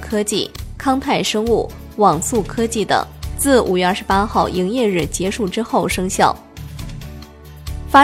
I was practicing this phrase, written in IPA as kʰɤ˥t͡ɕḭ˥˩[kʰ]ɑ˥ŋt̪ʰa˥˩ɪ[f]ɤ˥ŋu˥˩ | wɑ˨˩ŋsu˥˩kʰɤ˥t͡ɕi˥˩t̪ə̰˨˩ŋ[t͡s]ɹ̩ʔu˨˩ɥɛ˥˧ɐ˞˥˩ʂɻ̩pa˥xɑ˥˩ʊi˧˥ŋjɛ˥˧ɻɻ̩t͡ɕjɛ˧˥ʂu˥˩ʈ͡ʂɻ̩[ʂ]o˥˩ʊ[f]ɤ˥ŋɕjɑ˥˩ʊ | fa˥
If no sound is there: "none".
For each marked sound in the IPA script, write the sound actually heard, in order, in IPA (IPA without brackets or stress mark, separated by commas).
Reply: kʰ, ʂ, t͡s, x, ʂ